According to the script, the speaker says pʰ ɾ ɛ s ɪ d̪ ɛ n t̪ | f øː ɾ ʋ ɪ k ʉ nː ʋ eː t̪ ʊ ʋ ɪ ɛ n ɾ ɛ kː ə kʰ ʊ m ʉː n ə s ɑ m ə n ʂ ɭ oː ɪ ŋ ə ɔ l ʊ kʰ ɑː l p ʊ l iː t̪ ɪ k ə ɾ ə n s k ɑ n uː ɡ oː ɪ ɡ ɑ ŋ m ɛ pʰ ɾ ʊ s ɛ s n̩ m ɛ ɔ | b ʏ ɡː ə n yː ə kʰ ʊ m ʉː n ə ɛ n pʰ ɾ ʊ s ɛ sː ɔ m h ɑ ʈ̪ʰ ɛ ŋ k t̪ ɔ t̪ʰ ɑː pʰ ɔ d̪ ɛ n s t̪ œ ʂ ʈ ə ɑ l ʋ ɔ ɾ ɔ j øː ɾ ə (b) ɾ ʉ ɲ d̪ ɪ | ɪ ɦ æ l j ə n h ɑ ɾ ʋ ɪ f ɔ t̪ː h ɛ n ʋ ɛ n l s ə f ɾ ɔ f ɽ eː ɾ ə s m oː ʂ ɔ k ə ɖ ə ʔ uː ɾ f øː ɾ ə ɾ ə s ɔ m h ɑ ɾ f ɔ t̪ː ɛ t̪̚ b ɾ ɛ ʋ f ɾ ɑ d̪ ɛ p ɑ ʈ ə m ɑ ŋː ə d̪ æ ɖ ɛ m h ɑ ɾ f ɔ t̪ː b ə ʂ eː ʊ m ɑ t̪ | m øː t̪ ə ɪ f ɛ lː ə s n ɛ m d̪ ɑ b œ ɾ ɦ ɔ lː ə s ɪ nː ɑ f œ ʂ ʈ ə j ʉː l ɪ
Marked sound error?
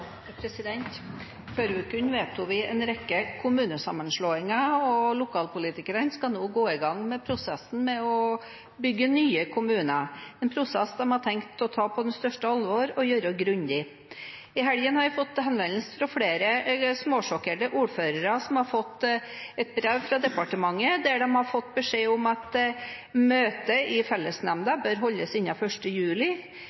yes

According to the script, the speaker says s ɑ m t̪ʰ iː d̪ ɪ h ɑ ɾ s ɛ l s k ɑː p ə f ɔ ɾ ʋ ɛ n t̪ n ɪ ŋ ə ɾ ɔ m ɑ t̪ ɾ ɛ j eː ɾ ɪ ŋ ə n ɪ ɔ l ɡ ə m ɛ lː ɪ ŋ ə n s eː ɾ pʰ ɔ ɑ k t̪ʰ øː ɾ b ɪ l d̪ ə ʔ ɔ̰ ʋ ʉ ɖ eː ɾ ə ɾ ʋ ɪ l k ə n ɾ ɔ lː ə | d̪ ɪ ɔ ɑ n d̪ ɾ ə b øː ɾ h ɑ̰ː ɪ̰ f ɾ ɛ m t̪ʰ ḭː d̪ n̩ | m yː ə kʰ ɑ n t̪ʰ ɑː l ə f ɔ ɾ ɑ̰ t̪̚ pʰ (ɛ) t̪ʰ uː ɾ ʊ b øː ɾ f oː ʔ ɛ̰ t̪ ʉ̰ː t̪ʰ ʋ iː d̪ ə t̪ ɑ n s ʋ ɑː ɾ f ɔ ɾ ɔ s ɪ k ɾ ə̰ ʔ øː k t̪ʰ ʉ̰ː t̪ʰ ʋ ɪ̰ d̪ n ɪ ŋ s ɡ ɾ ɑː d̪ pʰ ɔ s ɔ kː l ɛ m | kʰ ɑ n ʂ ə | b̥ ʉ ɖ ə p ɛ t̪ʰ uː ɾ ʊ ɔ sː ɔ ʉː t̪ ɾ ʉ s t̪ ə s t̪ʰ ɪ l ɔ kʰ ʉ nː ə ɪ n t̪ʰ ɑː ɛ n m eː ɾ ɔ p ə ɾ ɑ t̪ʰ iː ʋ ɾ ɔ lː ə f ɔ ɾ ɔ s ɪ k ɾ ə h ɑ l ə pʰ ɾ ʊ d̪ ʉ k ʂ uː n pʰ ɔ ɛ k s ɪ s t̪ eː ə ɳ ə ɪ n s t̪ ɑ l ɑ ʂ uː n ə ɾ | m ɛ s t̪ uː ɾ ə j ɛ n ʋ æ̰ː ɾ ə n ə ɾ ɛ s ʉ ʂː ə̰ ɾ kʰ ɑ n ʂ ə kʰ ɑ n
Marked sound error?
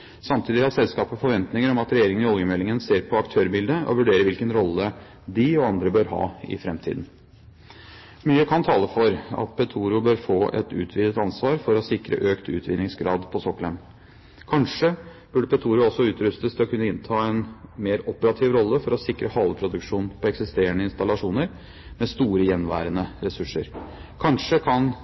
no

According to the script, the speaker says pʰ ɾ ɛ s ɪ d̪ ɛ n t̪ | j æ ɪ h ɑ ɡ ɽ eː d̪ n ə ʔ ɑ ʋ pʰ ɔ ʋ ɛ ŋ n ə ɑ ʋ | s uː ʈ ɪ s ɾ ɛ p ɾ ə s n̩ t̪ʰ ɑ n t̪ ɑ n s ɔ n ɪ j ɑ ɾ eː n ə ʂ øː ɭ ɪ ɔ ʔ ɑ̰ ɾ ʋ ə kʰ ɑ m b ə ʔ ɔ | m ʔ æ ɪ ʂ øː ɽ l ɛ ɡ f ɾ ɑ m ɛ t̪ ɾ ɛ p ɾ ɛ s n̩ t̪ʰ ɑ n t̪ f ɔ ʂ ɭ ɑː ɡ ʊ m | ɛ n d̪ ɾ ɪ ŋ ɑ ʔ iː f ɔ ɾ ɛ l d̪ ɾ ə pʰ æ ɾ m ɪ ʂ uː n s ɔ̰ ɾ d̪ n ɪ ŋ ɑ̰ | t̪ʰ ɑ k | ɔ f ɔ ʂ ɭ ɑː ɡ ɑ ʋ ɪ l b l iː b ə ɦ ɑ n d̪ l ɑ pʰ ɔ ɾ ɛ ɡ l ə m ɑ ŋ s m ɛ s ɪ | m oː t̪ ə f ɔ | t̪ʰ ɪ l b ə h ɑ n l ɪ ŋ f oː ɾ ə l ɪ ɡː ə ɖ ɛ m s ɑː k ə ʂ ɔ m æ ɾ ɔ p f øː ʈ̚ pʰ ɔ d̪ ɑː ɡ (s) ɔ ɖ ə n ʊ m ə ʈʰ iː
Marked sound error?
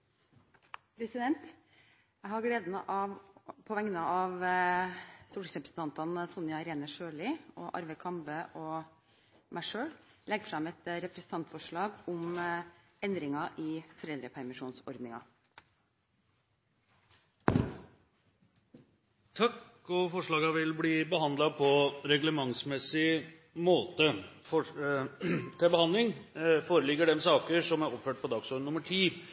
no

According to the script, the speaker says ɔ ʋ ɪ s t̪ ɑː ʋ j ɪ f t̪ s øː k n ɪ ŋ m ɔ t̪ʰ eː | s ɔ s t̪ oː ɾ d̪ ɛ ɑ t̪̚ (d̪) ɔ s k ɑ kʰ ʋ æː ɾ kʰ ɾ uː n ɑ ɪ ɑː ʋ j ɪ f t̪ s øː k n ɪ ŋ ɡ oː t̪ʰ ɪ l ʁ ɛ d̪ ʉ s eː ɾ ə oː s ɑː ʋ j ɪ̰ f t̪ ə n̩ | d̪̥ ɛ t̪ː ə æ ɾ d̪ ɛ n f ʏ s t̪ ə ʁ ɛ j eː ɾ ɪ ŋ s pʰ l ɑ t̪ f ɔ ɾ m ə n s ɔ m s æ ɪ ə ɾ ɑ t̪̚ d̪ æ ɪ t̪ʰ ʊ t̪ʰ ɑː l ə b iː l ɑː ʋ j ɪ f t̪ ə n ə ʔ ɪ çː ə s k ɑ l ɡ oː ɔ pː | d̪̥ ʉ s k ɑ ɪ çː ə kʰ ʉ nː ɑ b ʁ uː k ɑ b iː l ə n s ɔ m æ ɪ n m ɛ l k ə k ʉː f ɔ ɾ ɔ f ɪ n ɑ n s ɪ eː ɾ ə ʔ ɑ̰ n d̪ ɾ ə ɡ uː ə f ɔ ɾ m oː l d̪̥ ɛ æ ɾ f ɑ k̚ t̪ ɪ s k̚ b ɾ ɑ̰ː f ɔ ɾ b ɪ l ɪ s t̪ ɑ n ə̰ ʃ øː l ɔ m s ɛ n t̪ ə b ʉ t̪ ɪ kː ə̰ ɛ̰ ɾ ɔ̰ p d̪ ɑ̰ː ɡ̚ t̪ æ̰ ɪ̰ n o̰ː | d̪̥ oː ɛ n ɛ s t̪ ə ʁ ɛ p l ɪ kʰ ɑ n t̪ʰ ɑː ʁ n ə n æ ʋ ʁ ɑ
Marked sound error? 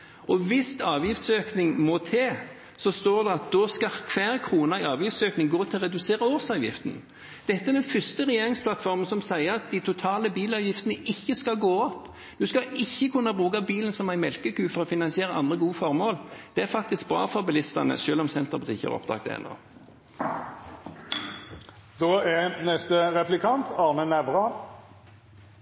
no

